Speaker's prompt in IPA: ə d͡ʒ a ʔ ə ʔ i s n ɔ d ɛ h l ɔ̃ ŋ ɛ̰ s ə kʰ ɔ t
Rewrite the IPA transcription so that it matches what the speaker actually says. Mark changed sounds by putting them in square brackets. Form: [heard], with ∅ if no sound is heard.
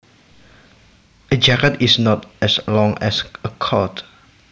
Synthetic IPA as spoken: ə d͡ʒ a [k] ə [t] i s n ɔ [t] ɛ [s] l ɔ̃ ŋ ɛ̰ s ə kʰ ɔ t